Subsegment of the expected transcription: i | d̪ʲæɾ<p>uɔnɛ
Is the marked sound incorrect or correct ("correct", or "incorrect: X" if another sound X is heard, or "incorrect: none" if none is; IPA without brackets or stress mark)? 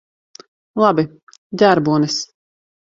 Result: incorrect: b